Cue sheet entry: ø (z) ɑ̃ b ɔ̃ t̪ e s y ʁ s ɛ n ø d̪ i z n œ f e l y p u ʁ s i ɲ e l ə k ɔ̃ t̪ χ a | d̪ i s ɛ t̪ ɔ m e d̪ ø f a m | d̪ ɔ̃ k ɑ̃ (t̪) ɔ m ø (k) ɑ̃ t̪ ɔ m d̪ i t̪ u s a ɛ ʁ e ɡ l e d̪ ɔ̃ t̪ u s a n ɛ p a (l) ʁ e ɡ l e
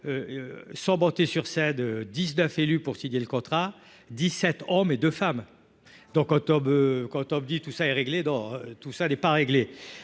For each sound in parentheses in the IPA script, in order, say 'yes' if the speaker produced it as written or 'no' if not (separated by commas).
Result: no, yes, yes, no